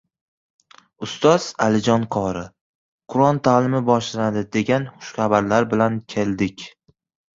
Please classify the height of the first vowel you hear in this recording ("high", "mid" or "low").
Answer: high